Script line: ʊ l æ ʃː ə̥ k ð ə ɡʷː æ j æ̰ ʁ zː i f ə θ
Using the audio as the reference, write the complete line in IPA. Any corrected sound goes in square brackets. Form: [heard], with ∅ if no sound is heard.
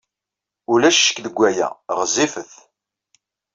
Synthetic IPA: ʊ l æ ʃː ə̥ k ð ə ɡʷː æ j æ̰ ʁ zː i f ə θ